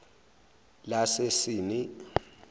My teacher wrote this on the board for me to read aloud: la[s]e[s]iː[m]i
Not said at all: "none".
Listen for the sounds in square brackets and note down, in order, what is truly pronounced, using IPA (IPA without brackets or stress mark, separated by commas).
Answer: s, s, n